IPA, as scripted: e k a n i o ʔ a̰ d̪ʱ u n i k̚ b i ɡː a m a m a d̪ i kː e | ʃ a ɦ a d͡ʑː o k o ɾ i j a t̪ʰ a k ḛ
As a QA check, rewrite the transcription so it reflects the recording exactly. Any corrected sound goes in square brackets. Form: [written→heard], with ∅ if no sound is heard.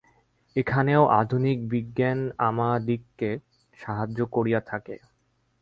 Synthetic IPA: e [k→kʰ] a n [i→e] o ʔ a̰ d̪ʱ u n i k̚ b i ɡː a [m→n] a m a d̪ i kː e | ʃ a ɦ a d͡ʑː o k o ɾ i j a t̪ʰ a k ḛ